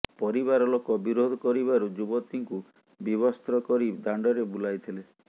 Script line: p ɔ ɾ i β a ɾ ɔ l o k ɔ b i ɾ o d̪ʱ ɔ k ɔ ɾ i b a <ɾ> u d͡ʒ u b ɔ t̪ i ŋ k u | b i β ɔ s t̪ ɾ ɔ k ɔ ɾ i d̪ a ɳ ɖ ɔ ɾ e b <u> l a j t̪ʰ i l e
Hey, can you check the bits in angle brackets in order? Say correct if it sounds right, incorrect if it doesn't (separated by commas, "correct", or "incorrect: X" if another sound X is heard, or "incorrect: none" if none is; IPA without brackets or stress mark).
correct, correct